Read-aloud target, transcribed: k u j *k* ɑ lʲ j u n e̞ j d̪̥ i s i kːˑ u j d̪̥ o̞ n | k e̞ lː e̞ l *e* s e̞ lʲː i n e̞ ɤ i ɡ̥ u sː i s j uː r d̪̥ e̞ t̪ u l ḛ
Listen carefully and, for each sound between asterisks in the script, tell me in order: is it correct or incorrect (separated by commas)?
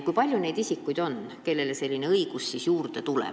incorrect, correct